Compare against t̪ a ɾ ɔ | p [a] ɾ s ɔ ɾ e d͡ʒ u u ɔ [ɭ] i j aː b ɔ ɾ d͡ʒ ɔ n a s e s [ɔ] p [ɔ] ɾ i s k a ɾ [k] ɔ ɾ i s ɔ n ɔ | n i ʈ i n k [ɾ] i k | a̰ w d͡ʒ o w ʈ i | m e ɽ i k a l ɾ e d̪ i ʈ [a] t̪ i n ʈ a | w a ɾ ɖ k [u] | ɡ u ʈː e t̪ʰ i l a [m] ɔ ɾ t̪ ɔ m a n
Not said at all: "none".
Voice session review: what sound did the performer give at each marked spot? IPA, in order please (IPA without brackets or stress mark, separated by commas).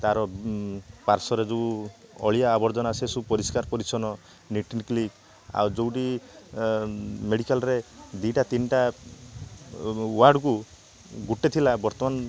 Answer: a, ɭ, u, ɔ, p, l, a, u, b